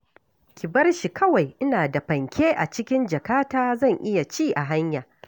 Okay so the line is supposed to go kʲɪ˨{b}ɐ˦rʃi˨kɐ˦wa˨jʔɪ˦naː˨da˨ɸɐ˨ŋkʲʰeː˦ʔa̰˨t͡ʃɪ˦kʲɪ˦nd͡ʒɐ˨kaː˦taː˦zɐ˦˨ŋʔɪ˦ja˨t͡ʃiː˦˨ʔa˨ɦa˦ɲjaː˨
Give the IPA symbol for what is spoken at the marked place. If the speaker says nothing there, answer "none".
b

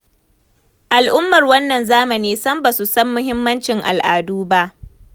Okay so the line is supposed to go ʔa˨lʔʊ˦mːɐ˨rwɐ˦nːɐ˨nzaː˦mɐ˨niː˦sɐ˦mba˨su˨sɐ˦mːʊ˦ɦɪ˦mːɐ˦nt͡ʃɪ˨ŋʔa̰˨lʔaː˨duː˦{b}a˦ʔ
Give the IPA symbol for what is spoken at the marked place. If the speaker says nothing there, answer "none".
b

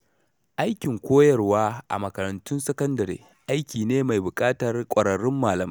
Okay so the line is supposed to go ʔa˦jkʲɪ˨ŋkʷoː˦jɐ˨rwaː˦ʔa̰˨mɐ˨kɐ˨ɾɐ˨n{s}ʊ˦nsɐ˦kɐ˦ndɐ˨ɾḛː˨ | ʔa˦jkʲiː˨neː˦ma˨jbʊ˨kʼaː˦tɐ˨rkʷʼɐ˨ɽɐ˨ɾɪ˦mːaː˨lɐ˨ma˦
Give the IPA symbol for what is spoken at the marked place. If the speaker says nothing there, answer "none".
t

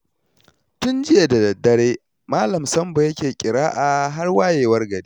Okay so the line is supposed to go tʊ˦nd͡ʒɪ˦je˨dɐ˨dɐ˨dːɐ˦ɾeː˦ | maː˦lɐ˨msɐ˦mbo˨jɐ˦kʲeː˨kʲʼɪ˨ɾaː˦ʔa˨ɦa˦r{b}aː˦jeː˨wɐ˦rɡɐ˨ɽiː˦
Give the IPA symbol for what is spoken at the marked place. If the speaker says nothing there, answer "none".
w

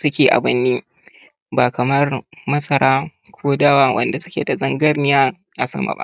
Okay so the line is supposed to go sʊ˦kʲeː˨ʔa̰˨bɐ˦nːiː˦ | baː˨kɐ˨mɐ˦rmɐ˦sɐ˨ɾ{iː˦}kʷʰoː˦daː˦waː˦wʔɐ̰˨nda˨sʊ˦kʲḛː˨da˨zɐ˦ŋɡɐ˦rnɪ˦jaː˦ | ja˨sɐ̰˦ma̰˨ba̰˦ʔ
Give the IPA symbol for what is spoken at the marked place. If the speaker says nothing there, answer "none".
aː˦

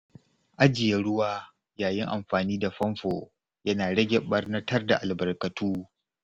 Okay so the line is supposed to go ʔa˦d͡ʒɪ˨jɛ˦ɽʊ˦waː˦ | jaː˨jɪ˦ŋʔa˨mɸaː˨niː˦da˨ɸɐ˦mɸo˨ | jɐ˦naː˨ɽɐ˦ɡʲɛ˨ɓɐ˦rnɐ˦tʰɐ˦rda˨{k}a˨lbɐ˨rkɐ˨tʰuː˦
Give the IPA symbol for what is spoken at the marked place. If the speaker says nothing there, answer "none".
ʔ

